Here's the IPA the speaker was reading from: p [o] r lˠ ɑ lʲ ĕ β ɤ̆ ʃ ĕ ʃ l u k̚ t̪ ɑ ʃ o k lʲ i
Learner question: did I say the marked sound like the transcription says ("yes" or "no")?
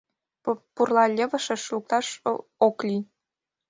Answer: no